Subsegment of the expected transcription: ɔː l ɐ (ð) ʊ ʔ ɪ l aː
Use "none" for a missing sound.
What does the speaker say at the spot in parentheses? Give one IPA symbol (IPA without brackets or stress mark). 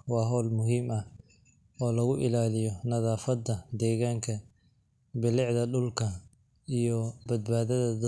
ɣ